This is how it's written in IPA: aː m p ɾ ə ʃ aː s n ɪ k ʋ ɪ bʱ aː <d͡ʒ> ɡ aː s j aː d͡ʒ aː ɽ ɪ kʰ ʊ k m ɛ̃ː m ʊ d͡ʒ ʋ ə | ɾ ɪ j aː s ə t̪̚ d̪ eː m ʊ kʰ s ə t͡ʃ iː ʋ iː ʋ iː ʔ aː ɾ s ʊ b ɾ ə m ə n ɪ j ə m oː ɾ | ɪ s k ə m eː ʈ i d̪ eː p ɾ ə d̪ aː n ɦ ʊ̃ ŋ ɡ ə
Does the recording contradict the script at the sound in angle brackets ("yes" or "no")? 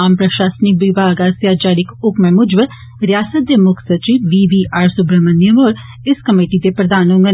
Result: yes